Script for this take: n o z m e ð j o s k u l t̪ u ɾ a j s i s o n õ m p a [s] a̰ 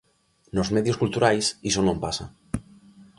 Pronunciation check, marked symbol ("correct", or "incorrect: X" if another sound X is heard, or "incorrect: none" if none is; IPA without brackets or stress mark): correct